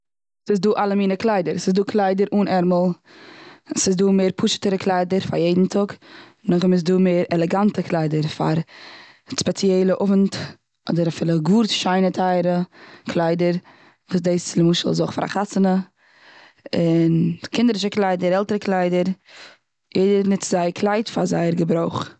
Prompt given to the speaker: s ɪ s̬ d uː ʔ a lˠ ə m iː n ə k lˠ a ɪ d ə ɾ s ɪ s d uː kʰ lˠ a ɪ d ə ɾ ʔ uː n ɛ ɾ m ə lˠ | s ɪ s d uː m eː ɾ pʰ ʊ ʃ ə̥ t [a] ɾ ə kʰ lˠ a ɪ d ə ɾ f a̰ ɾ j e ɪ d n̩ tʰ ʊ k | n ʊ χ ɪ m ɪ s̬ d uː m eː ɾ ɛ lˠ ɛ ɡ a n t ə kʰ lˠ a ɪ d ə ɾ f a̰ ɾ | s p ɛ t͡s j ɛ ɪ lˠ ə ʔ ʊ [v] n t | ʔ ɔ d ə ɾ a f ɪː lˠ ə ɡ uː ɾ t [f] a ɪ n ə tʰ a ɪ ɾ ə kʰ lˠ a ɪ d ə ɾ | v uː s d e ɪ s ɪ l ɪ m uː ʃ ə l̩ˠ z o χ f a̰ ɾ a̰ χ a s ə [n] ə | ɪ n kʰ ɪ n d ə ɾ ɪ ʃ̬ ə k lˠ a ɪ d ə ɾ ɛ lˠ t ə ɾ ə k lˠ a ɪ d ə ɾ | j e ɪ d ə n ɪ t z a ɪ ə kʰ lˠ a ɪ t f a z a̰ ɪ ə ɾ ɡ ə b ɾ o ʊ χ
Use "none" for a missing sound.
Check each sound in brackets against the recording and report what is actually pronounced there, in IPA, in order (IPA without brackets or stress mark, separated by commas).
ə, v, ʃ, n